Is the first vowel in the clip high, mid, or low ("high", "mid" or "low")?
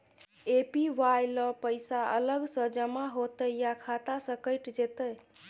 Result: mid